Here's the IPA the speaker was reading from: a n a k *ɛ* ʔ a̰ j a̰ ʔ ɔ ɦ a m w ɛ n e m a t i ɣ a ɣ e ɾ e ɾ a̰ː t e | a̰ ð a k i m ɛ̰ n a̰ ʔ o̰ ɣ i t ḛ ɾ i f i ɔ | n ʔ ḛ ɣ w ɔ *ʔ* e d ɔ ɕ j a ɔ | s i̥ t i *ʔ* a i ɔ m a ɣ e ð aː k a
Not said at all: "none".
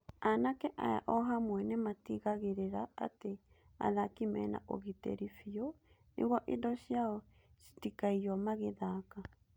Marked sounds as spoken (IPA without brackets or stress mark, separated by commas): ɛ, ʔ, k